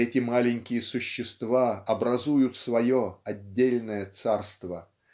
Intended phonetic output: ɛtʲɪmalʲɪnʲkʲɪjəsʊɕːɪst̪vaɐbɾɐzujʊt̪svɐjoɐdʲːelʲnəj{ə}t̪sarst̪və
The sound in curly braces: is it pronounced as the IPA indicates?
yes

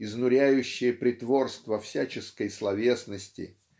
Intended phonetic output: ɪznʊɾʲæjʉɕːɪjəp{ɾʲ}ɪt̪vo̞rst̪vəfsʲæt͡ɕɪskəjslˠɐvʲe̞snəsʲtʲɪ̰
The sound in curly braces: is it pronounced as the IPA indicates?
yes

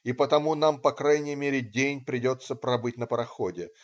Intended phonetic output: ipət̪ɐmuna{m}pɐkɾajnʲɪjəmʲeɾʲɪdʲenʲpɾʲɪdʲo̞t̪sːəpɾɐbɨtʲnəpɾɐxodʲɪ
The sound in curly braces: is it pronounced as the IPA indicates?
yes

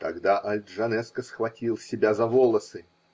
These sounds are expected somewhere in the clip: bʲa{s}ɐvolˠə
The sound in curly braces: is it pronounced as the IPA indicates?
no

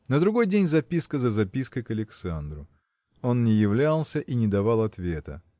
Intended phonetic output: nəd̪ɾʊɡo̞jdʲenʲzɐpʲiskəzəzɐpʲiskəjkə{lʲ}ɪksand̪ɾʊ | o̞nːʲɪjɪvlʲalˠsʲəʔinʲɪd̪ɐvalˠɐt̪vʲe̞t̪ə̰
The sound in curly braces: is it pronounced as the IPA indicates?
yes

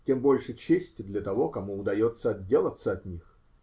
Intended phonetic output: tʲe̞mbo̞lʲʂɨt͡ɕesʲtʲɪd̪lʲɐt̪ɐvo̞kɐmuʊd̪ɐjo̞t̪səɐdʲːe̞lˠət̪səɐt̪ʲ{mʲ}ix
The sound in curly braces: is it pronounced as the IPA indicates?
no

